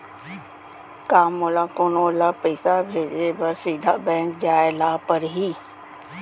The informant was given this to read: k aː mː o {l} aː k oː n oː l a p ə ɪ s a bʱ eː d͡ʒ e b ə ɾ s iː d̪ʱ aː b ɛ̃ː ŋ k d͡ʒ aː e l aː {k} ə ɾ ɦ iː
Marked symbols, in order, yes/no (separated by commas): yes, no